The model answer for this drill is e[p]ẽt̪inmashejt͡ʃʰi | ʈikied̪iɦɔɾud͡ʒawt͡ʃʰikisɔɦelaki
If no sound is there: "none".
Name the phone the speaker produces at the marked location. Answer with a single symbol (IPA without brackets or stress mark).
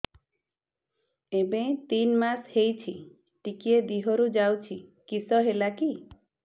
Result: b